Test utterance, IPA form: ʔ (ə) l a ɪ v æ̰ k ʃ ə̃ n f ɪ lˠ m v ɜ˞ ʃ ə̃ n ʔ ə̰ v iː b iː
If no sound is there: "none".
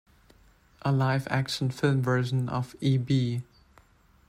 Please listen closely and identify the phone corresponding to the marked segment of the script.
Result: ə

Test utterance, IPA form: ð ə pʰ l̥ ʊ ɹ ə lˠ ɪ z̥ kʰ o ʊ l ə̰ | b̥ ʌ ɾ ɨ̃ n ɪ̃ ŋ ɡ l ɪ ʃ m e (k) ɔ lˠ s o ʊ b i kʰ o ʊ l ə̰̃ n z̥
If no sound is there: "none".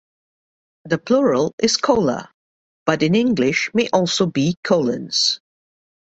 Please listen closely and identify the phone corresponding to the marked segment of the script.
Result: ʔ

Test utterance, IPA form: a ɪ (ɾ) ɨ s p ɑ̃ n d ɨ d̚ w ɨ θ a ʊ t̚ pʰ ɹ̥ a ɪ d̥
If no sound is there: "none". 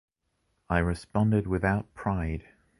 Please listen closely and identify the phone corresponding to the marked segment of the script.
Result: ɹ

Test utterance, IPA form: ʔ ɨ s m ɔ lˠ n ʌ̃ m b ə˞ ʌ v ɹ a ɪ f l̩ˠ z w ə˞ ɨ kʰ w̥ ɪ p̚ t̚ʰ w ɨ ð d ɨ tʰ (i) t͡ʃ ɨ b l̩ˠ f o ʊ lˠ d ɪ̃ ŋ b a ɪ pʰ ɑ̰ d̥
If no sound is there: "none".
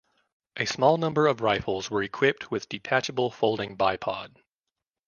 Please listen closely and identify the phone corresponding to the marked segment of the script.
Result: æ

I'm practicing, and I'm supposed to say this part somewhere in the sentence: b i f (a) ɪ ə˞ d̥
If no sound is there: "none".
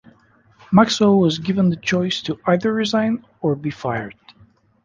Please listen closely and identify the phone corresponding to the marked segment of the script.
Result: a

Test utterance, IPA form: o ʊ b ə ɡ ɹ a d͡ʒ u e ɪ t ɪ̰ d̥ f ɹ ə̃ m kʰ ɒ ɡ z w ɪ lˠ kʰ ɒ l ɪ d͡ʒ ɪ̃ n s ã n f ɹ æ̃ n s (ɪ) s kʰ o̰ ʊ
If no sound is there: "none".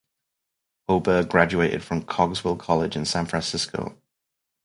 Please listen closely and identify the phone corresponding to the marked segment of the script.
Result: ɪ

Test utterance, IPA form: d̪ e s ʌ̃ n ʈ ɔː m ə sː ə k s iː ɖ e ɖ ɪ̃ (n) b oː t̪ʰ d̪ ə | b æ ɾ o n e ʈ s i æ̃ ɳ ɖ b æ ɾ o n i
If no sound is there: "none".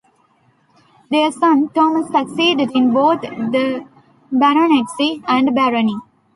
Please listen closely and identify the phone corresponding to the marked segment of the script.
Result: n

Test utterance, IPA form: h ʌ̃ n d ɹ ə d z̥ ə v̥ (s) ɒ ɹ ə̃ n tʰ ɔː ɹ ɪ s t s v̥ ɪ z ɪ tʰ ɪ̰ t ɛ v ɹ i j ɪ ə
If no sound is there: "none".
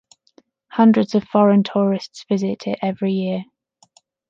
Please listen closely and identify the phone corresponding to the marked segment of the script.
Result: f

